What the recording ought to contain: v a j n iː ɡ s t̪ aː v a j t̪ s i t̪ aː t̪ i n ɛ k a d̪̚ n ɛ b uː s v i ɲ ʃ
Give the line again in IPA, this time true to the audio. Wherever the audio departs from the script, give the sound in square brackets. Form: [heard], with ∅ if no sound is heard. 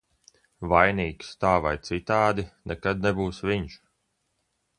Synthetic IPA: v a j n iː [k] s t̪ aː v a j t̪ s i t̪ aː [d̪] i n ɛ k a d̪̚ n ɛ b uː s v i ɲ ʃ